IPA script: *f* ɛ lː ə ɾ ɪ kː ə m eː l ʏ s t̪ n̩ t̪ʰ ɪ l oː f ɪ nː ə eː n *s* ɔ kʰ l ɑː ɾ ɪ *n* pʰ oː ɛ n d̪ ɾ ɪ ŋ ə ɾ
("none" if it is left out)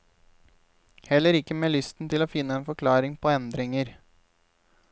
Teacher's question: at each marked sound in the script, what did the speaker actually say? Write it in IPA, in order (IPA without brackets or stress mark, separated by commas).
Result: h, f, ŋ